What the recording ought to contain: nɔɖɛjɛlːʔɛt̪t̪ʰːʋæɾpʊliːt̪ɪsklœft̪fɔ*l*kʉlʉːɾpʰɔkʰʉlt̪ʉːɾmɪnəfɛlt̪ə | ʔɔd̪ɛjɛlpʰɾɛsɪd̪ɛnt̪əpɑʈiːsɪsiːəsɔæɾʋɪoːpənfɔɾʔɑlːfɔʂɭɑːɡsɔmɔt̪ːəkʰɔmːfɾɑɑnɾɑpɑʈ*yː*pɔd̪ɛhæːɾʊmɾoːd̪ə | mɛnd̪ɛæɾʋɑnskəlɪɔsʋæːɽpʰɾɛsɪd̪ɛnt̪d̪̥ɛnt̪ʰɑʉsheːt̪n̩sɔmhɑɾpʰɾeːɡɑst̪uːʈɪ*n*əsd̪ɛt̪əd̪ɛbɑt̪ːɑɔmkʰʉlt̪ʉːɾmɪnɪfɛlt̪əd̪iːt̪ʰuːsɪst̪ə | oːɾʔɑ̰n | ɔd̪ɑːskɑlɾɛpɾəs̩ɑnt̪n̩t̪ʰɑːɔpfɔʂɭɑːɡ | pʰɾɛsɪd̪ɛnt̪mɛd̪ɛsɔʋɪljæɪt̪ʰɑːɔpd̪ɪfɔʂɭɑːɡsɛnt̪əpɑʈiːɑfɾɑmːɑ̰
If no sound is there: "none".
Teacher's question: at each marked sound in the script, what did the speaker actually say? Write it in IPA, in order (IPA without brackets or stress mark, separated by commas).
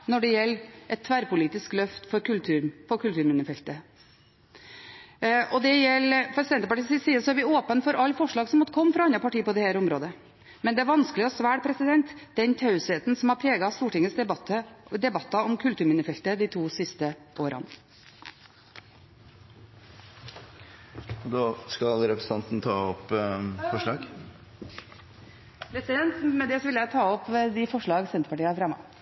ɾ, iː, ŋ